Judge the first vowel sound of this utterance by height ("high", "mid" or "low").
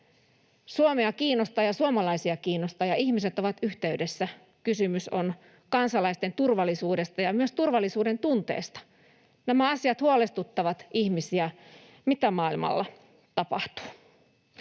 high